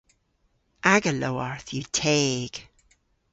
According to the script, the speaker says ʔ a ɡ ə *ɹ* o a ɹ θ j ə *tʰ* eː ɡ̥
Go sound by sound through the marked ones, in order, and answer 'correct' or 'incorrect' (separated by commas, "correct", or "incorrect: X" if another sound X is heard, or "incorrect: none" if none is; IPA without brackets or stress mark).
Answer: incorrect: l, correct